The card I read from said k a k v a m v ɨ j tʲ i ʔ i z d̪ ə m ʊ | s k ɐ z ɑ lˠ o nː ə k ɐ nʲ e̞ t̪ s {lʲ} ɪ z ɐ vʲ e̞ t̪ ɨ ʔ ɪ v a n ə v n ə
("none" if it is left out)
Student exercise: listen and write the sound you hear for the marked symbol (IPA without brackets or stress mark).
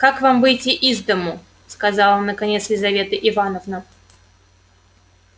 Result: lʲ